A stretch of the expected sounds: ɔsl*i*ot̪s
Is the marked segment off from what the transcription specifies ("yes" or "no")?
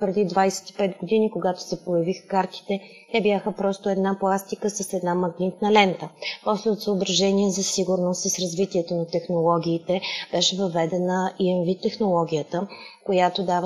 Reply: yes